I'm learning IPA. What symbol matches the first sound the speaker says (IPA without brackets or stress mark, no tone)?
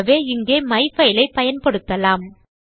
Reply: ʋ